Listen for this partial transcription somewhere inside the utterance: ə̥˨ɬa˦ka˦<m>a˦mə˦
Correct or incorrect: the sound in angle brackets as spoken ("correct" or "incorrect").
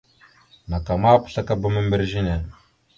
incorrect